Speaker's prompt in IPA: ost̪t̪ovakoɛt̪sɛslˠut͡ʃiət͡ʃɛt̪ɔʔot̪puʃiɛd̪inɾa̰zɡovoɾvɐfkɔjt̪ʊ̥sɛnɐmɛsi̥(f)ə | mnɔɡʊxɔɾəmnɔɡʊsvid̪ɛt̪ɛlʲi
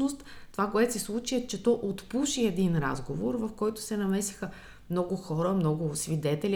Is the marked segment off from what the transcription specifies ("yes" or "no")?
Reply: yes